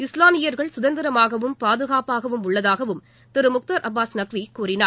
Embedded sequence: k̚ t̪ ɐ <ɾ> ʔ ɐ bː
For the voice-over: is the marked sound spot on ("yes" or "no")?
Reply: yes